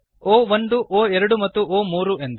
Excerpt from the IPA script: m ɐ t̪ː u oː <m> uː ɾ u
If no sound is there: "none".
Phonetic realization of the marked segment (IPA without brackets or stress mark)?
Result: m